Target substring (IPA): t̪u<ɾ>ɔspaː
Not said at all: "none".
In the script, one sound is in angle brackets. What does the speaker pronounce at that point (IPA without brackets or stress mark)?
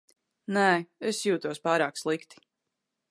none